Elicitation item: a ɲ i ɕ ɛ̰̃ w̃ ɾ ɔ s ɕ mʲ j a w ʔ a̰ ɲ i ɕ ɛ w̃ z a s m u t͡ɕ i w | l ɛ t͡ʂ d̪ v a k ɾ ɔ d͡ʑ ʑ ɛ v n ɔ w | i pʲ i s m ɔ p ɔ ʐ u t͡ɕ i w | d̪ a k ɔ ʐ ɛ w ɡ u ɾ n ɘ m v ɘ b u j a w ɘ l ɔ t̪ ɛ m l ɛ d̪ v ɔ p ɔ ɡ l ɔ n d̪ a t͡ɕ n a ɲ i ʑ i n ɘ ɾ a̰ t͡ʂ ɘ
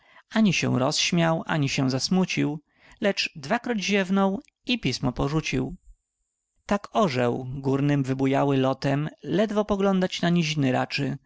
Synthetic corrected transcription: a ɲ i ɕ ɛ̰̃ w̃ ɾ ɔ s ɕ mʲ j a w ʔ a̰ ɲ i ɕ ɛ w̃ z a s m u t͡ɕ i w | l ɛ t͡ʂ d̪ v a k ɾ ɔ d͡ʑ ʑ ɛ v n ɔ w | i pʲ i s m ɔ p ɔ ʐ u t͡ɕ i w | t̪ a k ɔ ʐ ɛ w ɡ u ɾ n ɘ m v ɘ b u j a w ɘ l ɔ t̪ ɛ m l ɛ d̪ v ɔ p ɔ ɡ l ɔ n d̪ a t͡ɕ n a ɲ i ʑ i n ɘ ɾ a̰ t͡ʂ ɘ